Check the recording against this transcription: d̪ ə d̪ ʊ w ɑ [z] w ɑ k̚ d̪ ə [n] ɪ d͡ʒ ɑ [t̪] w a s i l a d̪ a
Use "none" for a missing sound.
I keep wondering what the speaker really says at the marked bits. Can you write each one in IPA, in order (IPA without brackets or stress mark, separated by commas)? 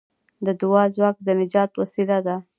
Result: z, n, t̪